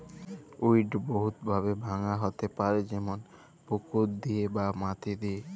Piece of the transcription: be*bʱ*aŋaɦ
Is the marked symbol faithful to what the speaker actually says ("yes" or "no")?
yes